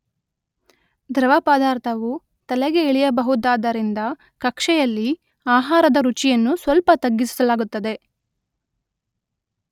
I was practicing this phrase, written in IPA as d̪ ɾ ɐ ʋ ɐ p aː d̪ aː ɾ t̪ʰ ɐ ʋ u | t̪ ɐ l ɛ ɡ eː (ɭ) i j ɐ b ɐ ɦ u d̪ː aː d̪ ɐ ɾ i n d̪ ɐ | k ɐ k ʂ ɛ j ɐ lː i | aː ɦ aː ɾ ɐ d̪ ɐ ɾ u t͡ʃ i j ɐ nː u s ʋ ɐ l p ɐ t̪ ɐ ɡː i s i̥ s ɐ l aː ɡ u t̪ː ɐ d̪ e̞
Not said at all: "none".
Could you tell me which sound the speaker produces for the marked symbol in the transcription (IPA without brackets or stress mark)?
ɭ